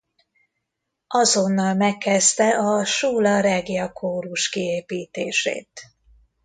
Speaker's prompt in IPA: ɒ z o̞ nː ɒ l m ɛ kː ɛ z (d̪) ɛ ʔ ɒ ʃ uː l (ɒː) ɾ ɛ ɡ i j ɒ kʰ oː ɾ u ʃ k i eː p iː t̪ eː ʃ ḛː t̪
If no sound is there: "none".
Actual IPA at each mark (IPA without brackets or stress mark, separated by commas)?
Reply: t̪, ɒ